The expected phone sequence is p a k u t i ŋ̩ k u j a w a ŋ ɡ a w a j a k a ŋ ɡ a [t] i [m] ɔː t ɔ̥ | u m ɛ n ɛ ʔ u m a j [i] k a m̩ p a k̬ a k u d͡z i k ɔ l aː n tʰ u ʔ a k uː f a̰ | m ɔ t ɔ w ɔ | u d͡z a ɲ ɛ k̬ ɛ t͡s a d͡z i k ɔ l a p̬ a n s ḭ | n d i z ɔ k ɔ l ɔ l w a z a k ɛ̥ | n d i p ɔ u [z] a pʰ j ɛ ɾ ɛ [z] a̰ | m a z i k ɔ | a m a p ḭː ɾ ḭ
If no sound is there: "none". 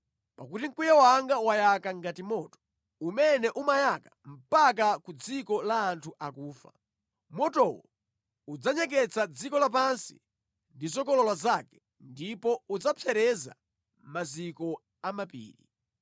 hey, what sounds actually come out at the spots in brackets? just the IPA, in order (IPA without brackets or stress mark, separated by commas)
t, m, a, d͡z, z